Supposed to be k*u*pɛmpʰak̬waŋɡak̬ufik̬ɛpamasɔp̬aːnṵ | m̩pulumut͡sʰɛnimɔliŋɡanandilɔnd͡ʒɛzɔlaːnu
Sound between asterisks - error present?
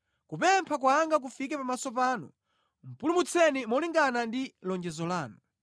no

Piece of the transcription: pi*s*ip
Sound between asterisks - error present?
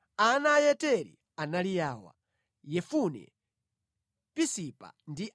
no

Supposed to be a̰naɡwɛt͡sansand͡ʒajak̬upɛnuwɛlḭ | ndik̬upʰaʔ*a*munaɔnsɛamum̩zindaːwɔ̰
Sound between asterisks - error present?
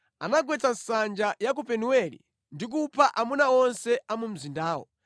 no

